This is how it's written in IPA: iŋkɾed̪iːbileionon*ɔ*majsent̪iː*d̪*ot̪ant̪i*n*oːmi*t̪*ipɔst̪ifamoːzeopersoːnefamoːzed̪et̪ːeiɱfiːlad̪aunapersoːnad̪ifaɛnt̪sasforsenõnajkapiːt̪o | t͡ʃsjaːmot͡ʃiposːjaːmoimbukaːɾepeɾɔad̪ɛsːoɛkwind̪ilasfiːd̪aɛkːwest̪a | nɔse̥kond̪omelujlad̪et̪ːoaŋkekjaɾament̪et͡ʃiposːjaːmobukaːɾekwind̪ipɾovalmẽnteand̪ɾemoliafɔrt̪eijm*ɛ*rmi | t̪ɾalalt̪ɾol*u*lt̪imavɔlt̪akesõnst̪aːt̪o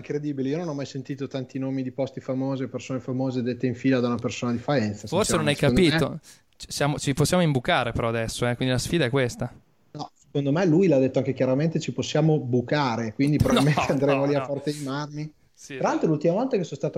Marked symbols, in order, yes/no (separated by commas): yes, no, yes, no, no, yes